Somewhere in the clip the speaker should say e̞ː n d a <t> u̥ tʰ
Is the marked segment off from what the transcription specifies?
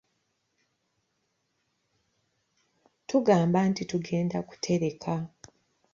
yes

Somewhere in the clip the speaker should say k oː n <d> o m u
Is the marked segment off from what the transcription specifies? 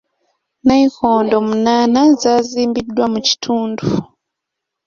no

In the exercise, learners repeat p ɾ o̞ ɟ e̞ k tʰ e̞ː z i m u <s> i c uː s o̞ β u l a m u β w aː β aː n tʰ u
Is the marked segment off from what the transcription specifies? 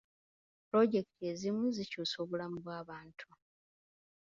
yes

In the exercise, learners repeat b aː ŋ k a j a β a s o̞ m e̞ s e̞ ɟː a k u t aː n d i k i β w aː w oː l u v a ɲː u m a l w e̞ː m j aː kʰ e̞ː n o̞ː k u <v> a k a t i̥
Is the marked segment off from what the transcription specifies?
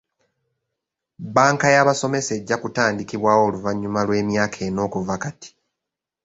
no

